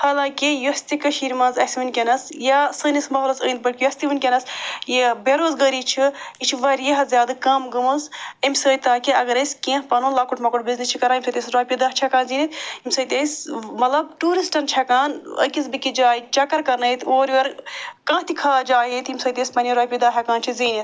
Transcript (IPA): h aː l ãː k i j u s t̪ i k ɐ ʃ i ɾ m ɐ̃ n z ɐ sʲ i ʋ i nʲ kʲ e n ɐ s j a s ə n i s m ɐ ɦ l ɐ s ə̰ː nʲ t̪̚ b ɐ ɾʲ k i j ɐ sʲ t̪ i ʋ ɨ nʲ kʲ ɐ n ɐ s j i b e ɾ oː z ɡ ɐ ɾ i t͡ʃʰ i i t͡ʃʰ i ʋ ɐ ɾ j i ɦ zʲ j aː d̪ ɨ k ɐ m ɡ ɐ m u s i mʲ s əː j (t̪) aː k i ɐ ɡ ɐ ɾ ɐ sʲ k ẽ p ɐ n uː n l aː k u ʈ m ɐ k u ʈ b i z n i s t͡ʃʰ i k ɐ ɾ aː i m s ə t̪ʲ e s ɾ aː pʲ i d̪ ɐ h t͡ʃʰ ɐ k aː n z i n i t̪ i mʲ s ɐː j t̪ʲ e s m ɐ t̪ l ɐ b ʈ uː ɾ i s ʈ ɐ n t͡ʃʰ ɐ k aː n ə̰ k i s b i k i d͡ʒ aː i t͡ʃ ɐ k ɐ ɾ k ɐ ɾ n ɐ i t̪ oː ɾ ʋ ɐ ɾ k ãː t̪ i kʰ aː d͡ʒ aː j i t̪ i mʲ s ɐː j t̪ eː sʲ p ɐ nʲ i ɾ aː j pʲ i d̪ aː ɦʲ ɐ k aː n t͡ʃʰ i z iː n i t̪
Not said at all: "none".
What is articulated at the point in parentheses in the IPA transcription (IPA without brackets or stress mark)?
t̪